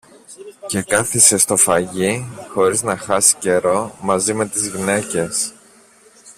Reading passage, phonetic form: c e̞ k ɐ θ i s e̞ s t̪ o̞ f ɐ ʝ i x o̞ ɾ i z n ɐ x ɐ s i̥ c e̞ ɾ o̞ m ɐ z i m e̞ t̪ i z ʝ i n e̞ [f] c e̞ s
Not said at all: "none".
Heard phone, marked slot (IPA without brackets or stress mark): none